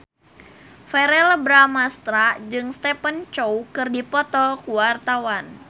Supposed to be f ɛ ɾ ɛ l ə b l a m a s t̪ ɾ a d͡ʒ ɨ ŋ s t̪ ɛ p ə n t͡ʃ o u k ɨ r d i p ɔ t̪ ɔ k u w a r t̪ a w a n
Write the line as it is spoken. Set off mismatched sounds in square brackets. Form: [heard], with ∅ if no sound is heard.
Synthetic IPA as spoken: f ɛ ɾ ɛ l ə b [ɾ] a m a s t̪ ɾ a d͡ʒ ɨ ŋ s t̪ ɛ p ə n t͡ʃ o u k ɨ r d i p ɔ t̪ ɔ k u w a r t̪ a w a n

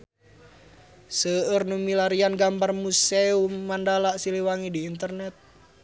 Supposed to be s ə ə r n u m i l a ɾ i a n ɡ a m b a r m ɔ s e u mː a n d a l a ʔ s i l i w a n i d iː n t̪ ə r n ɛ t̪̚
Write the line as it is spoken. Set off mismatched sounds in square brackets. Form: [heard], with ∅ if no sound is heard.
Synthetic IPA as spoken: s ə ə r n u m i l a ɾ i a n ɡ a m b a r m [u] s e u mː a n d a l a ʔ s i l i w a [ŋ] i d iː n t̪ ə r n ɛ t̪̚

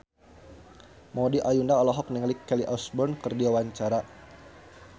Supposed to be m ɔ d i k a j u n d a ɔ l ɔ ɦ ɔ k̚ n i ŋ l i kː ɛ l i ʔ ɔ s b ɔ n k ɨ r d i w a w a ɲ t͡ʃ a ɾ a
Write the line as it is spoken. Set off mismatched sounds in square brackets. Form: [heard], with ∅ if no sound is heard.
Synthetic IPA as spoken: m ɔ d i [ʔ] a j u n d a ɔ l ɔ ɦ ɔ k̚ n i ŋ l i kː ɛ l i ʔ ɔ s b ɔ n k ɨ r d i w a w a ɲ t͡ʃ a ɾ a

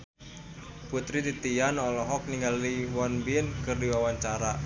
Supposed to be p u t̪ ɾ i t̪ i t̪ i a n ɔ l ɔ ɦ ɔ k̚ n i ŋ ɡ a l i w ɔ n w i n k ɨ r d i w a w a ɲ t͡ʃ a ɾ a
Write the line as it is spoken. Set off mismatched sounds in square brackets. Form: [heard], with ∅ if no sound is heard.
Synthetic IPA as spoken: p u t̪ ɾ i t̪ i t̪ i a n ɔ l ɔ ɦ ɔ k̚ n i ŋ ɡ a l i w ɔ n [b] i n k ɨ r d i w a w a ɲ t͡ʃ a ɾ a

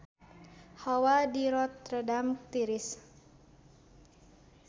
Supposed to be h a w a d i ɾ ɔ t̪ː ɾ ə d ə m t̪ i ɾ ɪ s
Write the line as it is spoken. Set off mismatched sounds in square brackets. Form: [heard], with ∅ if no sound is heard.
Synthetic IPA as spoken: h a w a d i ɾ ɔ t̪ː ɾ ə d [a] m t̪ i ɾ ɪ s

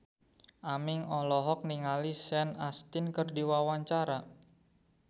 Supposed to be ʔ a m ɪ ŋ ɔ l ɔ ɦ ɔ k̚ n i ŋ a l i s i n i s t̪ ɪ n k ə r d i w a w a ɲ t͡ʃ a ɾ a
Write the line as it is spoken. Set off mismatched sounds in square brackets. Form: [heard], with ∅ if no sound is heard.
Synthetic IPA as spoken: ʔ a m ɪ ŋ ɔ l ɔ ɦ ɔ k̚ n i ŋ a l i s [ɛ] n [a] s t̪ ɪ n k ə r d i w a w a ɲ t͡ʃ a ɾ a

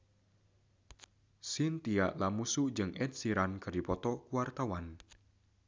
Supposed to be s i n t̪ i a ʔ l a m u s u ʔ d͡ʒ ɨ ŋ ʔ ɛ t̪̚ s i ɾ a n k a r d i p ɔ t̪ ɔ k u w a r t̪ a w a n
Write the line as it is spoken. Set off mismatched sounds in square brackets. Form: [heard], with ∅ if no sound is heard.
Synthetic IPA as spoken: s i n t̪ i a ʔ l a m u s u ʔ d͡ʒ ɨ ŋ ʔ ɛ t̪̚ s i ɾ a n k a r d i p ɔ t̪ ɔ k u w a r t̪ a w a n

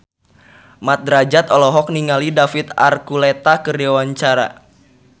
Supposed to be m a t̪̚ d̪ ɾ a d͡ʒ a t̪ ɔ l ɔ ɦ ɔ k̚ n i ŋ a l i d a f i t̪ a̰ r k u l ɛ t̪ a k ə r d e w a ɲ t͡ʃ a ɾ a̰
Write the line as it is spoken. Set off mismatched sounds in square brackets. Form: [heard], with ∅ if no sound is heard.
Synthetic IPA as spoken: m a t̪̚ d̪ ɾ a d͡ʒ a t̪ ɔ l ɔ ɦ ɔ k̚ n i ŋ a l i d a f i t̪ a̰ r k u l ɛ t̪ a k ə r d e w a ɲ t͡ʃ a ɾ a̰

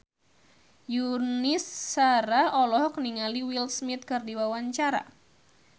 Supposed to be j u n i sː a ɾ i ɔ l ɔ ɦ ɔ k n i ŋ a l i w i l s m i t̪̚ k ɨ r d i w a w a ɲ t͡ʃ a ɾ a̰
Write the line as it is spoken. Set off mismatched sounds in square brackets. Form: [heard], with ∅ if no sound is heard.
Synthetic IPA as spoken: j u n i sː a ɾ [a] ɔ l ɔ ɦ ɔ k n i ŋ a l i w i l s m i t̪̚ k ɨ r d i w a w a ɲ t͡ʃ a ɾ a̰

